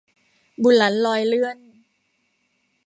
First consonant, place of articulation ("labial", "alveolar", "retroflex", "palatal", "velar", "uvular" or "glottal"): labial